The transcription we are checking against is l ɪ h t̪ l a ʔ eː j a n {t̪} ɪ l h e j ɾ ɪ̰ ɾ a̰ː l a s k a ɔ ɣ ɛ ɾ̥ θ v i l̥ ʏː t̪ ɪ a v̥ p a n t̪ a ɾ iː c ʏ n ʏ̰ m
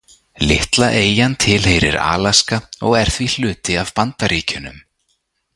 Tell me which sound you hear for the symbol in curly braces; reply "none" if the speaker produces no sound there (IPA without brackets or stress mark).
t̪ʰ